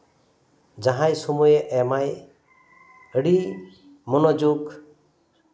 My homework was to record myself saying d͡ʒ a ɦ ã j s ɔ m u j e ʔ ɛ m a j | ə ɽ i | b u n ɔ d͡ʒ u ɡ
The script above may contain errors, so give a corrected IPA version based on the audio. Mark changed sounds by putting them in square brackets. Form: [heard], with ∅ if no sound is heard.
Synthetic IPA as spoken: d͡ʒ a ɦ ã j s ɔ m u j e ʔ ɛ m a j | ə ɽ i | [m] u n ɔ d͡ʒ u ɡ